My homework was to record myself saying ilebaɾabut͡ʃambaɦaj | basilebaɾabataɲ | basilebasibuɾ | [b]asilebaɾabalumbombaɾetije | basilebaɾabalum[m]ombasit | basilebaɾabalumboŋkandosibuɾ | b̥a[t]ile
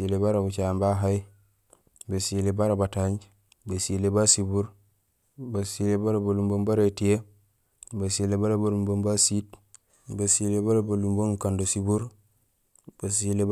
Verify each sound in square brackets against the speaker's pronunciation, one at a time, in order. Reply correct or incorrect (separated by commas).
correct, incorrect, incorrect